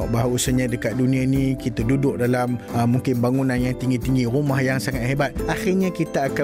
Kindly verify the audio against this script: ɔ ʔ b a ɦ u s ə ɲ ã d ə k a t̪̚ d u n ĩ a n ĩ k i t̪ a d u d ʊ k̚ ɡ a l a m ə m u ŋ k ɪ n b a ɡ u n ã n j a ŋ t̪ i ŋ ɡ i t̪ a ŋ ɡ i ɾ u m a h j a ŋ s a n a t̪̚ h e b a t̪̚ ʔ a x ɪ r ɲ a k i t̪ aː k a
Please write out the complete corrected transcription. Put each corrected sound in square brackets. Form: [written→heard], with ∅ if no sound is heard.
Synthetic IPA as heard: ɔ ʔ b a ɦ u s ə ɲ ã d ə k a t̪̚ d u n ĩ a n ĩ k i t̪ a d u d ʊ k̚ [ɡ→d] a l a m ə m u ŋ k ɪ n b a [ɡ→ŋ] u n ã n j a ŋ t̪ i ŋ ɡ i t̪ [a→i] ŋ ɡ i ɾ u m a h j a ŋ s a [n→ŋ] a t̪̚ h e b a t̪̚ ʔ a x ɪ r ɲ a k i t̪ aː k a